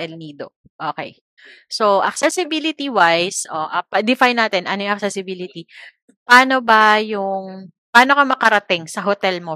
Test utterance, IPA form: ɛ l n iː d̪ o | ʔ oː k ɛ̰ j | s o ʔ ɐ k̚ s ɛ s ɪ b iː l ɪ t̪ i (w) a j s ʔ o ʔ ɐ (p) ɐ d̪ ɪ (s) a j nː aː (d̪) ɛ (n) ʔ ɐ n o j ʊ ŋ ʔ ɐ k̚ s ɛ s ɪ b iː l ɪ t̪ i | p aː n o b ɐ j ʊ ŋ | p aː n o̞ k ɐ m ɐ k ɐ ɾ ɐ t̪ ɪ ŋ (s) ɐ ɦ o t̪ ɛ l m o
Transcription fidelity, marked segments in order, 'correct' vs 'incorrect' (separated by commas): correct, correct, incorrect, incorrect, correct, correct